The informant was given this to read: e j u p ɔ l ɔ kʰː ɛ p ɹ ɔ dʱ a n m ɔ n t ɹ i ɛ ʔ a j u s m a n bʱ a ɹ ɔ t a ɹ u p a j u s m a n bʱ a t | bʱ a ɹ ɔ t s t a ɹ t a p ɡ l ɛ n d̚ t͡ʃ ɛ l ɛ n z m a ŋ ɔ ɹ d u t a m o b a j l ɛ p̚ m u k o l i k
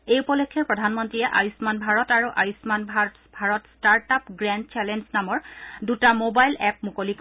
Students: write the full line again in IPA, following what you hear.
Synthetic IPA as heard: e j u p ɔ l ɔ kʰː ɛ p ɹ ɔ dʱ a n m ɔ n t ɹ i ɛ ʔ a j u s m a n bʱ a ɹ ɔ t a ɹ u ʔ a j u s m a n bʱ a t | bʱ a ɹ ɔ t s t a ɹ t a p ɡ ɹ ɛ n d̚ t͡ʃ ɛ l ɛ n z n a m ɔ ɹ d u t a m o b a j l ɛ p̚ m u k o l i k